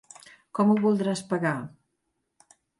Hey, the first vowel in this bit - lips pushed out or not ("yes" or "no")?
yes